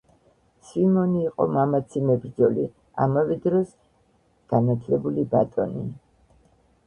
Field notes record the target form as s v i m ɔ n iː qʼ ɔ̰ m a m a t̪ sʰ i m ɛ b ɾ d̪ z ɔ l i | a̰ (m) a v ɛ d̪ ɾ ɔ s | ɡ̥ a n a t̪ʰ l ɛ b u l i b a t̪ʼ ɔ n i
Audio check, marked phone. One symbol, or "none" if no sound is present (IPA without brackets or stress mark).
m